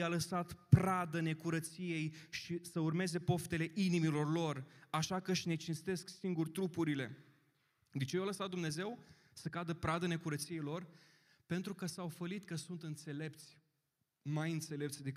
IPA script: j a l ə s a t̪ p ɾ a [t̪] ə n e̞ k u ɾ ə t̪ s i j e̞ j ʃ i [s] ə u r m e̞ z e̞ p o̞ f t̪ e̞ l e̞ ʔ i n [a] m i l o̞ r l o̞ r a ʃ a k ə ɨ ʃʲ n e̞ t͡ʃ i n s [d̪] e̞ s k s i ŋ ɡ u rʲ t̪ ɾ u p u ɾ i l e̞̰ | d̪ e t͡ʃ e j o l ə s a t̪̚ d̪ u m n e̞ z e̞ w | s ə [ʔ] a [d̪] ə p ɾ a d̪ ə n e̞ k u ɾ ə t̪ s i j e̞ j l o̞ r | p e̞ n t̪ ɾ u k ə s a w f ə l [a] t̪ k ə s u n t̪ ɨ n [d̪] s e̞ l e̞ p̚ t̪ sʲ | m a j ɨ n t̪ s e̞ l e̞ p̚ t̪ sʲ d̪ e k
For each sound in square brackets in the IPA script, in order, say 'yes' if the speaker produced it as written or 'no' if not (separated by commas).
no, yes, no, no, no, yes, no, no